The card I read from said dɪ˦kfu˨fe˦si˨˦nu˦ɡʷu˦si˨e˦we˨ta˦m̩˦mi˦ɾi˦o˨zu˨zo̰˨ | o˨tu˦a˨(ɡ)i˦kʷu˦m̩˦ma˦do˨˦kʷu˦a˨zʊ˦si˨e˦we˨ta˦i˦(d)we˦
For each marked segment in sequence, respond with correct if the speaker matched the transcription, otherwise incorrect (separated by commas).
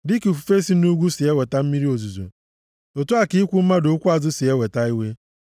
incorrect, incorrect